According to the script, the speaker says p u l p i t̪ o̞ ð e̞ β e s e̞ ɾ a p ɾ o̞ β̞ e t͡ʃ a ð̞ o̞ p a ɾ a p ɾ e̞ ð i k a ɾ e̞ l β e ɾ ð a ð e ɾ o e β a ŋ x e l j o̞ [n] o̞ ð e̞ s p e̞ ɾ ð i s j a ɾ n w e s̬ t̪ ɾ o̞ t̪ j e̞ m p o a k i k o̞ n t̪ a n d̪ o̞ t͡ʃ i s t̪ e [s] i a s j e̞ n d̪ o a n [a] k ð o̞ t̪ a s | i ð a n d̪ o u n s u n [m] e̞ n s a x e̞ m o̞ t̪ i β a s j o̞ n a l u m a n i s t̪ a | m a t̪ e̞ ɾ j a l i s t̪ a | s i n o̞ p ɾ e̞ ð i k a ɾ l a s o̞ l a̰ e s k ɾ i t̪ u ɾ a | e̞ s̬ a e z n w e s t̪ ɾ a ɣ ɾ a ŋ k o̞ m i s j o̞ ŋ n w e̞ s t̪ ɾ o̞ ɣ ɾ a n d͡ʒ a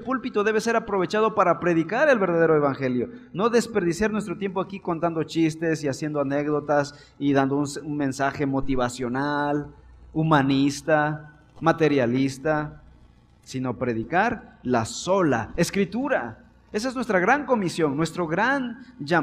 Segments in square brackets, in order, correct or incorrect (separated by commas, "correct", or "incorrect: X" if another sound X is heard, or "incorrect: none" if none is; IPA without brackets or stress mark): correct, correct, incorrect: e, correct